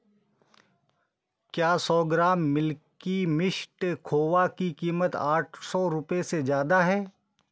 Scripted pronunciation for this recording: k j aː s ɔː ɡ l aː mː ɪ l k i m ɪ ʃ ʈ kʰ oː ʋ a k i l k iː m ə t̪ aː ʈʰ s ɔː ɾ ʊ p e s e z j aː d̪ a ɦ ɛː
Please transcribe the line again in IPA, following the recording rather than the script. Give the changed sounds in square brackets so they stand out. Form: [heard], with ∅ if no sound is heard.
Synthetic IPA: k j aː s ɔː ɡ [ɾ] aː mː ɪ l k i m ɪ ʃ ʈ kʰ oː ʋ a k i [∅] k iː m ə t̪ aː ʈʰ s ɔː ɾ ʊ p e s e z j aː d̪ a ɦ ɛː